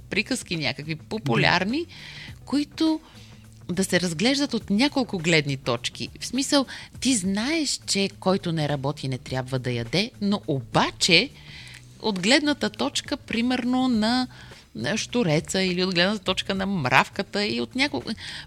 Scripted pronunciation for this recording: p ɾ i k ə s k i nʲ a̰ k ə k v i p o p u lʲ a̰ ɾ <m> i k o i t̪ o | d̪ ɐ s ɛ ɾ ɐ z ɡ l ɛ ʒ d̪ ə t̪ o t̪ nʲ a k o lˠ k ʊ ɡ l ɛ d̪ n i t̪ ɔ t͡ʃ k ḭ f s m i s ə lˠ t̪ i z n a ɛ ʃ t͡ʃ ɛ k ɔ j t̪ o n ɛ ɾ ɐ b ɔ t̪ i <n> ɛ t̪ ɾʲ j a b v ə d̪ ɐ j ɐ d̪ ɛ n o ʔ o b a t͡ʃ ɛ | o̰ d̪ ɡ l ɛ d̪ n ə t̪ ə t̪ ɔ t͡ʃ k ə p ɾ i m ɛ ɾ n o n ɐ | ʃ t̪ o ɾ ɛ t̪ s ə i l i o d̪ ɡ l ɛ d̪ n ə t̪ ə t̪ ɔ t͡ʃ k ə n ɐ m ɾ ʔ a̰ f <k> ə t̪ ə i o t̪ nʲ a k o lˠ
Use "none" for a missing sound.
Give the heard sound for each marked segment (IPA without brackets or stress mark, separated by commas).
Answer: n, n, k